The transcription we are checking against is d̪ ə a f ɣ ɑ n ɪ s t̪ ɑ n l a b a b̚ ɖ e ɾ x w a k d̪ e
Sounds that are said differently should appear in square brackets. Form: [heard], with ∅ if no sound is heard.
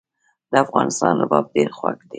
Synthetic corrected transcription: d̪ ə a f ɣ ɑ n ɪ s t̪ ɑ n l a b [ɑ] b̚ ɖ e ɾ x w a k d̪ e